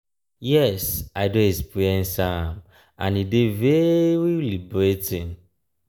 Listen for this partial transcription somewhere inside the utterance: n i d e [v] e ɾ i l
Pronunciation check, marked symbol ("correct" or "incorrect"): correct